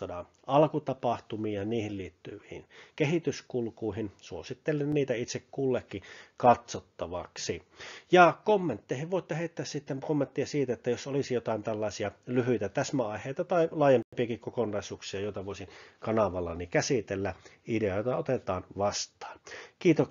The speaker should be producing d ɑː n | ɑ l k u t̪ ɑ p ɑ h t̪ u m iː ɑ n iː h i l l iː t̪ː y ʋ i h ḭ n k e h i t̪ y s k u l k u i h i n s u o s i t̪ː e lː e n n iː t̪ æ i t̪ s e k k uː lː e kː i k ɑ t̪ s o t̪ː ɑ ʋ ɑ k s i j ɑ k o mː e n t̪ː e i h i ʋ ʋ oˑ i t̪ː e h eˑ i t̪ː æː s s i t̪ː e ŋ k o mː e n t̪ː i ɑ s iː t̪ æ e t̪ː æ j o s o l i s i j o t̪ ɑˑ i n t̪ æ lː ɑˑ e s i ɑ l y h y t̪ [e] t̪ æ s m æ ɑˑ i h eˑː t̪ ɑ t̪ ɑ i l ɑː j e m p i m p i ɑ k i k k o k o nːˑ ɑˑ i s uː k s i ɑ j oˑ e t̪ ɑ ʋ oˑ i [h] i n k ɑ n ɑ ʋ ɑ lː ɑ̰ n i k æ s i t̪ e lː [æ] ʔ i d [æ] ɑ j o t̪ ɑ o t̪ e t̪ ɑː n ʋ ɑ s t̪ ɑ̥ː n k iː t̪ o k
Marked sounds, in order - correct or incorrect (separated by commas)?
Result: incorrect, incorrect, correct, incorrect